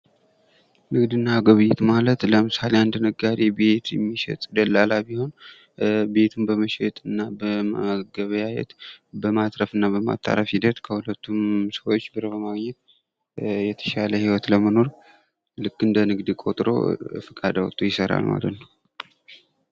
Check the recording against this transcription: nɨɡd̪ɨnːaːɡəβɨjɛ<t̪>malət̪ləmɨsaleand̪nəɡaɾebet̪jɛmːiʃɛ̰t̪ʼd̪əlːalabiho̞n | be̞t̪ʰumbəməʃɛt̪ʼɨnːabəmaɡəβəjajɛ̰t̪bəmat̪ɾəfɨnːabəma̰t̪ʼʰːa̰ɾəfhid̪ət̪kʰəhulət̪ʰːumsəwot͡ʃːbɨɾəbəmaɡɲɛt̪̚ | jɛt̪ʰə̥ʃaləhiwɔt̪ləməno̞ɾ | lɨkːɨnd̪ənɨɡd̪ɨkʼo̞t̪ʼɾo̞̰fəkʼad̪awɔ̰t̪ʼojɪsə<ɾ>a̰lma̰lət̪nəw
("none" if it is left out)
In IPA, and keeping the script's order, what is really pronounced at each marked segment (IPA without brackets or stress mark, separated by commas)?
t̪, ɾ